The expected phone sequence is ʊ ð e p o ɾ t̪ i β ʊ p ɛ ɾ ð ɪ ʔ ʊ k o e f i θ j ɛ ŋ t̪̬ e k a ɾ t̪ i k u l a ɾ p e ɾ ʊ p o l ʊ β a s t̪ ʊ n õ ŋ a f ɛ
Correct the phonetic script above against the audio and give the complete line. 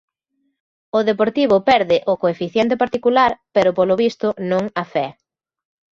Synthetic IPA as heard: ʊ ð e p o ɾ t̪ i β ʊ p ɛ ɾ ð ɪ ʔ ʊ k o e f i θ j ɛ n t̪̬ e p a ɾ t̪ i k u l a ɾ p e ɾ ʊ p o l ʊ β i s t̪ ʊ n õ ŋ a f ɛ